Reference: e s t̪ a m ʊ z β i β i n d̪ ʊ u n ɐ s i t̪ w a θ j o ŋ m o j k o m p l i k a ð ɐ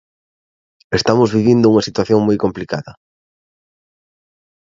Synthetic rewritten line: e s t̪ a m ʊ z β i β i n d̪ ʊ u ŋ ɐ s i t̪ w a θ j o ŋ m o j k o m p l i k a ð ɐ